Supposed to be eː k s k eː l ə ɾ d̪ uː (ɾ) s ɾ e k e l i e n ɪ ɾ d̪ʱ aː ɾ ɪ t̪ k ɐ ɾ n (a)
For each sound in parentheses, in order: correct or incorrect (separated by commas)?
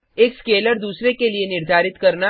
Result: incorrect, correct